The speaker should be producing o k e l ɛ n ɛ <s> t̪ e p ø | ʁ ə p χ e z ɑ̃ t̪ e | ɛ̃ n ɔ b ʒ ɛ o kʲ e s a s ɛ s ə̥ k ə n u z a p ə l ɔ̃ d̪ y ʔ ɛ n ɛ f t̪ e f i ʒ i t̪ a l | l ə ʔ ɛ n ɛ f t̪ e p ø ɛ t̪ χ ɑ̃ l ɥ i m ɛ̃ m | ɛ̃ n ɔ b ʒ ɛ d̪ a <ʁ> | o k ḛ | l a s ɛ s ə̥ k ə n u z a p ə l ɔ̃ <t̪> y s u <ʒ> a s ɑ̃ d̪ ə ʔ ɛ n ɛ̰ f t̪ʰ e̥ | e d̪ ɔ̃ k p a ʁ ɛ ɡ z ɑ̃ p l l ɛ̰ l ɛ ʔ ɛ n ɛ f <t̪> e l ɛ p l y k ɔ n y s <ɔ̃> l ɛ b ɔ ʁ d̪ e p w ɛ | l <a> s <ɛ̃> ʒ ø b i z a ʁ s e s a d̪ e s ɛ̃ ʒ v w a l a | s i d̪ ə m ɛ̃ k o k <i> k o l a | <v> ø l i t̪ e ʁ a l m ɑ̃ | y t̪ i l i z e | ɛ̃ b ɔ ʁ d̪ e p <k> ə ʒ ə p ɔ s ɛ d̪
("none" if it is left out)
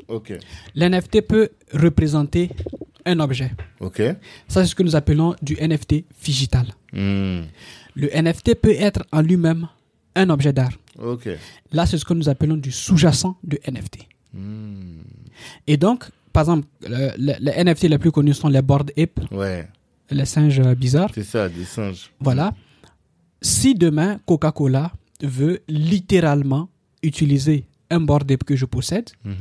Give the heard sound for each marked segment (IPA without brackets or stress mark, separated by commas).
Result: f, ʁ, d̪, ʒ, t̪, ɔ̃, ɛ, ɛ̃, a, v, k